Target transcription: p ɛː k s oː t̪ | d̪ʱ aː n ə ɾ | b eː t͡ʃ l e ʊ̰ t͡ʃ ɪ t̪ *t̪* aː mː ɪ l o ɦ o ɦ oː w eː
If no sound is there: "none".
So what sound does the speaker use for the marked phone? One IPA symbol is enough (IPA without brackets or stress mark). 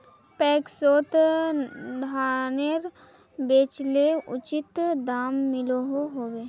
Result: d̪